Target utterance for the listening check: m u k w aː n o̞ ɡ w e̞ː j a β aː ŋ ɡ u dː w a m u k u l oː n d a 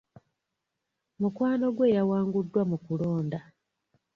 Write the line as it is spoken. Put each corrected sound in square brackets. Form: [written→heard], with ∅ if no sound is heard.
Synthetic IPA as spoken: m u k w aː n o̞ ɡ w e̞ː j a [β→w] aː ŋ ɡ u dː w a m u k u l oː n d a